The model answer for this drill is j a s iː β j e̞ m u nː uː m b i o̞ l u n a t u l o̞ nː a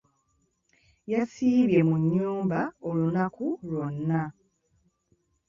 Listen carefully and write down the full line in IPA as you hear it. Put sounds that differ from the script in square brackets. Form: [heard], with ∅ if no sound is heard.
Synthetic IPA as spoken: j a s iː β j e̞ m u [ɲː] uː m b [a] o̞ l u n a [k] u l o̞ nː a